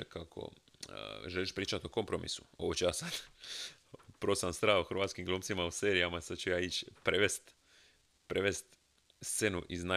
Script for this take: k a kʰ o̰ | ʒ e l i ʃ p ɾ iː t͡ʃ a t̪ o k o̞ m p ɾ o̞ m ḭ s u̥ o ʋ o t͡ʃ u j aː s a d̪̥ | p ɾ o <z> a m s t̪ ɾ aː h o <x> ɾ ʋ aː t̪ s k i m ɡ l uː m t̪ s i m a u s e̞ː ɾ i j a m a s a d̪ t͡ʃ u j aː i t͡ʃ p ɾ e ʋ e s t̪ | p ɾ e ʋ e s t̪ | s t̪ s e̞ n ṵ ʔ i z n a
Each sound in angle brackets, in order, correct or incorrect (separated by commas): incorrect, correct